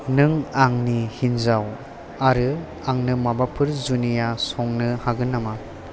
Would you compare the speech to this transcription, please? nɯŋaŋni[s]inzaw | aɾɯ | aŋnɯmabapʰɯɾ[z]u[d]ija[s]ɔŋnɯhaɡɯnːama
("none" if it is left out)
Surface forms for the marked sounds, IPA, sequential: h, z, n, s

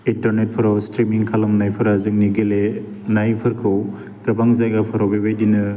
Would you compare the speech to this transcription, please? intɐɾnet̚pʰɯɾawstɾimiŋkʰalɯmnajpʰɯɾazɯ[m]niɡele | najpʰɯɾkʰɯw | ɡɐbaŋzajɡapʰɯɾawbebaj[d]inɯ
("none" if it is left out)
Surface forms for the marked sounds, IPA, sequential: ŋ, d

